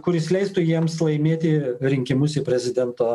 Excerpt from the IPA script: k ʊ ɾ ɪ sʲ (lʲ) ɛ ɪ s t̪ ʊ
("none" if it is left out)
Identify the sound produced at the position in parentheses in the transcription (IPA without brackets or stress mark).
lʲ